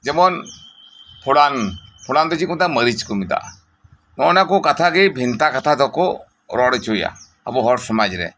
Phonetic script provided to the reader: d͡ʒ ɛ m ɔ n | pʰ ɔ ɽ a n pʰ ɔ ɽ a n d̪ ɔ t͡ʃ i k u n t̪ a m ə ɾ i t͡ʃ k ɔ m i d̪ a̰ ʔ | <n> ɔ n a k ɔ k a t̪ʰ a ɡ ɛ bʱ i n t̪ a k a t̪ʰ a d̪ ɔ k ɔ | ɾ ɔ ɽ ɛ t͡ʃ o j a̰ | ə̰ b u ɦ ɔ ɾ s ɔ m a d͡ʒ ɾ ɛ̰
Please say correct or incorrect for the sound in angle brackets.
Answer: correct